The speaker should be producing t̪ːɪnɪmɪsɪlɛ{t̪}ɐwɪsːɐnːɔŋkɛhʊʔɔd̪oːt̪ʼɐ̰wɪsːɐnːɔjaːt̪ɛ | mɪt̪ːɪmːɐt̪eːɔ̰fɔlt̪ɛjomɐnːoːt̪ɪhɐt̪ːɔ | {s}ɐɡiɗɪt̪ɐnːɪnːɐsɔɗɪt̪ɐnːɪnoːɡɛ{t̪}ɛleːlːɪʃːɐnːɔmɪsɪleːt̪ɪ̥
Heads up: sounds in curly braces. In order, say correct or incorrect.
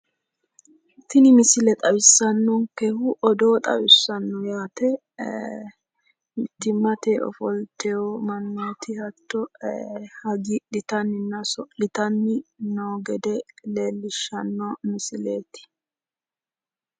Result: incorrect: t̪ʼ, incorrect: h, incorrect: d̪

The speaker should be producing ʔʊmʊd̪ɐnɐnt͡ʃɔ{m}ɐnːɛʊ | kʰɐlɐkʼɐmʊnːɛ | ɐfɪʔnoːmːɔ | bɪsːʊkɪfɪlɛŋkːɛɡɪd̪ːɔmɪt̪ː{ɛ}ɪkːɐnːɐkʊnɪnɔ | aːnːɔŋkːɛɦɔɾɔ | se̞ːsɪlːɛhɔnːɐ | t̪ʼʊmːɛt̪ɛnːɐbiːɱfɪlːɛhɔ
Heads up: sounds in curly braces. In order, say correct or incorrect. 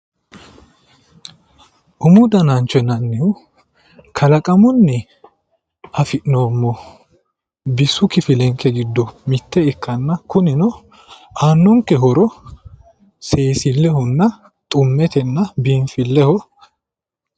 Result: incorrect: n, correct

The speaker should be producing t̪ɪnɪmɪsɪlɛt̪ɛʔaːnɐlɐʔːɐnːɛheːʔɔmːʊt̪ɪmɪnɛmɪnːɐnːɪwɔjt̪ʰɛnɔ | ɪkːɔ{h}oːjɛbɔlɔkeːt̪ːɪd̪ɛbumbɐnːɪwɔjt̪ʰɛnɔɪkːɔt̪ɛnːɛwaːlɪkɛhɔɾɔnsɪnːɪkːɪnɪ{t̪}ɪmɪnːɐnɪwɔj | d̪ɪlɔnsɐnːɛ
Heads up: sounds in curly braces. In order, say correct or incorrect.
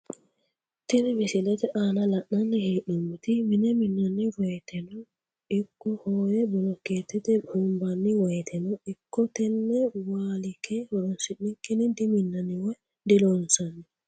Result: correct, incorrect: d̪

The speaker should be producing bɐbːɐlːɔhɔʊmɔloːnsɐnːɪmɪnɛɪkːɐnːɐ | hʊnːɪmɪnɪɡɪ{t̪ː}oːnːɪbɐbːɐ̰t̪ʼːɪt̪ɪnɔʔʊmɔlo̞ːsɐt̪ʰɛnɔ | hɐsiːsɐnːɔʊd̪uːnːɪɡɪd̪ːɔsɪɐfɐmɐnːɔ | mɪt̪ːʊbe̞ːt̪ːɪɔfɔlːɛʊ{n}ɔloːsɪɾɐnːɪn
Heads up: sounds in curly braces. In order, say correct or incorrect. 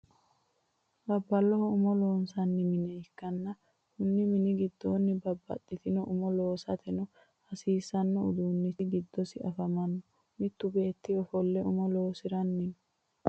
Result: incorrect: d̪ː, incorrect: m

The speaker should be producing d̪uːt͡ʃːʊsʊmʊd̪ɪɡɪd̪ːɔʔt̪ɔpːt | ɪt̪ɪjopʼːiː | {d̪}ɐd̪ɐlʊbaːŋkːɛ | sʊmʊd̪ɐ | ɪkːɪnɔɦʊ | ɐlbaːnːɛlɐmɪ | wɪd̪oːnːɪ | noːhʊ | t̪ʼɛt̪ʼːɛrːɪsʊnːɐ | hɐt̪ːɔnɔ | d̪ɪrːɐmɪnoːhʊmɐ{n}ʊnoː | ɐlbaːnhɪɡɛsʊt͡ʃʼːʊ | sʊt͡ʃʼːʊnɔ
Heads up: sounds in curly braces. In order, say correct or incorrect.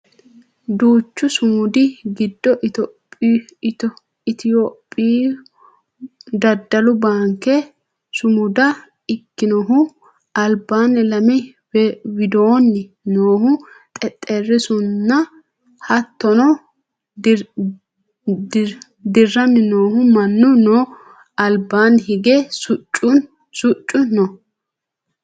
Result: correct, incorrect: nː

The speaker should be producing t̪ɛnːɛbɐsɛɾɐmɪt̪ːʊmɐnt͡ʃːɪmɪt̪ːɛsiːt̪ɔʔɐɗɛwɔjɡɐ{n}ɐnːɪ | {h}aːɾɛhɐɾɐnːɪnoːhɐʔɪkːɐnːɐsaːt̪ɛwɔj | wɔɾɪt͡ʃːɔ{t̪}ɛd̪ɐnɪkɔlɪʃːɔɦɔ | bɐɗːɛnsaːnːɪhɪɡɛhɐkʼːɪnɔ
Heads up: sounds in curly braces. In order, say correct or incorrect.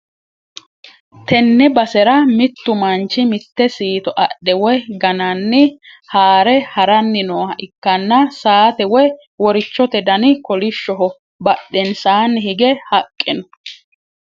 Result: correct, correct, correct

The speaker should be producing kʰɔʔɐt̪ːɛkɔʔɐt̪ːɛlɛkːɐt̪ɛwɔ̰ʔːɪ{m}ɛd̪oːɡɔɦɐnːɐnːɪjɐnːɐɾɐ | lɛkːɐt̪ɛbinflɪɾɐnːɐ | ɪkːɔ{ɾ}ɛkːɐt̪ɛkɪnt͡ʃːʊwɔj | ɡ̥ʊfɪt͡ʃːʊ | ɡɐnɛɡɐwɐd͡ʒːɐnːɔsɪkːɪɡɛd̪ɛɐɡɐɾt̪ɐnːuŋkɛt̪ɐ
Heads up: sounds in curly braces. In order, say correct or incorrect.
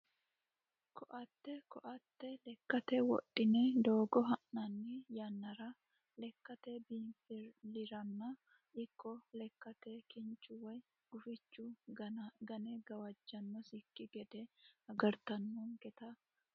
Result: incorrect: n, incorrect: l

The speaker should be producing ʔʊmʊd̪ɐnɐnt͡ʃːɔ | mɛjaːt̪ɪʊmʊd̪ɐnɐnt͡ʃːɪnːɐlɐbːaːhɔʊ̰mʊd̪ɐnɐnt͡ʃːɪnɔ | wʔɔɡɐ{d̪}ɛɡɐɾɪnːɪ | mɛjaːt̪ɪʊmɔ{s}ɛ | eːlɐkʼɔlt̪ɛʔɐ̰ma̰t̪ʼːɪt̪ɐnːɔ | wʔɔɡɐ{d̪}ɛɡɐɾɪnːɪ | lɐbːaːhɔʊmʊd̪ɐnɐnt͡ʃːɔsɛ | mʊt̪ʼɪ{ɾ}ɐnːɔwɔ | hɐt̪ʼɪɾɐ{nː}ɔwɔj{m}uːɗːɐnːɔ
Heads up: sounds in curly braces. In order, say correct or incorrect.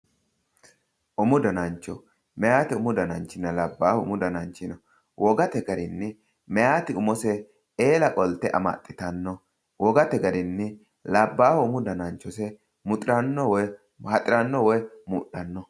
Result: incorrect: t̪, correct, incorrect: t̪, correct, correct, correct

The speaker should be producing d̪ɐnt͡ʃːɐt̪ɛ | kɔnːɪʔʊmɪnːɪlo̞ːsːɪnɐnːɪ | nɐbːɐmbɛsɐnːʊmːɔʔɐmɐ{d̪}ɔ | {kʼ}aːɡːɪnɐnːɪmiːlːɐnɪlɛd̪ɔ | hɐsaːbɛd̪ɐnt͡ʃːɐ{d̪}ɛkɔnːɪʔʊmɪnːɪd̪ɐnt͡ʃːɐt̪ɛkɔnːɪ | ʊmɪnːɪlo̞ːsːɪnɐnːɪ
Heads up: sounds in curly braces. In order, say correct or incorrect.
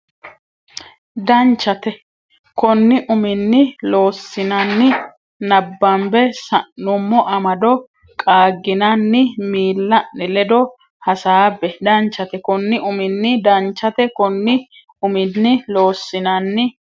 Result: correct, correct, incorrect: t̪

